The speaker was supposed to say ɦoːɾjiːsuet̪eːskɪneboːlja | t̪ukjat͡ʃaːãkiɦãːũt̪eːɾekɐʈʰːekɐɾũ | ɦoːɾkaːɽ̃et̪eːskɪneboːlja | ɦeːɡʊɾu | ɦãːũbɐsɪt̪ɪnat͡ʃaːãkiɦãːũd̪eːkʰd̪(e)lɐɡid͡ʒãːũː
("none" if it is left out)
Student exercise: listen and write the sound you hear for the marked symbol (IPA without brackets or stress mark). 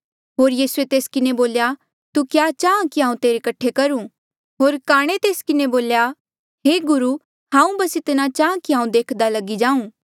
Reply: a